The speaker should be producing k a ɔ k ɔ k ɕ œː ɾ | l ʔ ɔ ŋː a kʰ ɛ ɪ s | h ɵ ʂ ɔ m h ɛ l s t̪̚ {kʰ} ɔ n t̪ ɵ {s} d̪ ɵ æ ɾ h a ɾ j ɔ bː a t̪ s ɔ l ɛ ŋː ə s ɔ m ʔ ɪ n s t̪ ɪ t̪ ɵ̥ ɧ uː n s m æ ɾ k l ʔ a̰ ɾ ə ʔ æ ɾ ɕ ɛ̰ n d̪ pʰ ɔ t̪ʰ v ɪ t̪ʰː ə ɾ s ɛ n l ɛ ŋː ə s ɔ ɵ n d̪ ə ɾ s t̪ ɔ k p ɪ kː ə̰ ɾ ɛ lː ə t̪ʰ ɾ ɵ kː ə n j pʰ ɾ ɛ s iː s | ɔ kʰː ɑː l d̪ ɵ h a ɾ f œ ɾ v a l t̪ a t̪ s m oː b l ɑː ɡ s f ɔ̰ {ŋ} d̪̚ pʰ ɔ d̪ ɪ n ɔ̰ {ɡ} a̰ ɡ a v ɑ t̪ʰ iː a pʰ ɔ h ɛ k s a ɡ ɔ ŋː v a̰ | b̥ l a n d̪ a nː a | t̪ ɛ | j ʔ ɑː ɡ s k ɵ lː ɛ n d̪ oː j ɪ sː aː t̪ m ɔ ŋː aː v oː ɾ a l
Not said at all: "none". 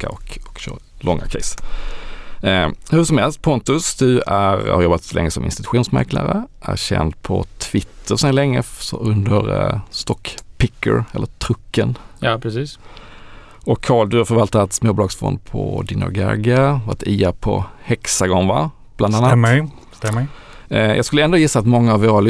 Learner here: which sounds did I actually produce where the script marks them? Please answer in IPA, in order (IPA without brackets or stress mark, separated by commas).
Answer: pʰ, s, n, ɡ